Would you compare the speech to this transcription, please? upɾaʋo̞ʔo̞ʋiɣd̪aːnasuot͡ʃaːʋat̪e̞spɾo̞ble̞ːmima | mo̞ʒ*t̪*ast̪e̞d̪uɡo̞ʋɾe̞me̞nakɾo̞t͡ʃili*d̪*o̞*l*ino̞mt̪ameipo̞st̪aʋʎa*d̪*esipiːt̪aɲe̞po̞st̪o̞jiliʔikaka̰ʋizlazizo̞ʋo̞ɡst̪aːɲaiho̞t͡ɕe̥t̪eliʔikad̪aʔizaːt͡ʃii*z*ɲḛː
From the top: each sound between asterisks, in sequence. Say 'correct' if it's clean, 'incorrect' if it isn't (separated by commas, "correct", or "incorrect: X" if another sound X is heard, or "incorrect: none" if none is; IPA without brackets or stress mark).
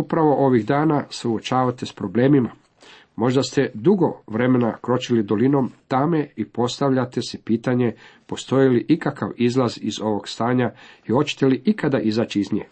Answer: incorrect: d̪, correct, correct, incorrect: t̪, correct